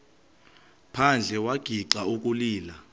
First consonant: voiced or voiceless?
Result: voiceless